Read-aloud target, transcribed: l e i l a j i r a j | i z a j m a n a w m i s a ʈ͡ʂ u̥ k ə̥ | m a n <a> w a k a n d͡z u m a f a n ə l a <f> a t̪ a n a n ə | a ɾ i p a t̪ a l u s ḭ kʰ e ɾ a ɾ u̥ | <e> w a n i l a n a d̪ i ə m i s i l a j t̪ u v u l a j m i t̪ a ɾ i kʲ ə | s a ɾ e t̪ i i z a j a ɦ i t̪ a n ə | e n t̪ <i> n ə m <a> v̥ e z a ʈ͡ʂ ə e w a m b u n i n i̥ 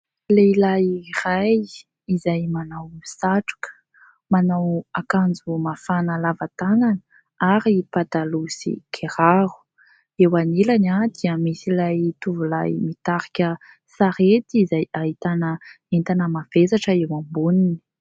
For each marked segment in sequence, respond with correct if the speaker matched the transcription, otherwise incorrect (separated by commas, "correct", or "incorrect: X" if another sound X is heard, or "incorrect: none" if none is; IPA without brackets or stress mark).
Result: correct, incorrect: v, correct, incorrect: a, correct